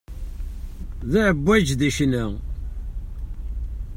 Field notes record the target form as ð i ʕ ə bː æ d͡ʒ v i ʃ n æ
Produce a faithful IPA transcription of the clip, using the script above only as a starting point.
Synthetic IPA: ð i ʕ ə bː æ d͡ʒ ð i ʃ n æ